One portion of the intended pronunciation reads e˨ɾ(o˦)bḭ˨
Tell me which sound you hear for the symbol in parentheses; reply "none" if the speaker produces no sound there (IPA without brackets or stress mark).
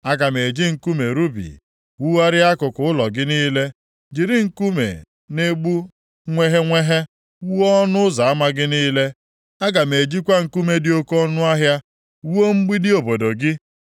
u˦